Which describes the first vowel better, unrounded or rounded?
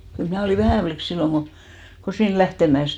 rounded